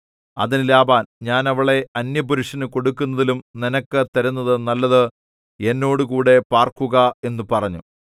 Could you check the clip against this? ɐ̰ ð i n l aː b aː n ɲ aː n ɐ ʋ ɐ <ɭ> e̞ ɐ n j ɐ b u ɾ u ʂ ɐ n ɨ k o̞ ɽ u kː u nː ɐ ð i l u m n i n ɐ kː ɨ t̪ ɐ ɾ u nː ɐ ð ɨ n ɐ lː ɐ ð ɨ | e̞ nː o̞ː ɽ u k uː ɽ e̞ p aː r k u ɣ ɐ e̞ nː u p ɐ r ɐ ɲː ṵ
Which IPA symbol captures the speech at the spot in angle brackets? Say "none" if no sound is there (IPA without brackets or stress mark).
ɭ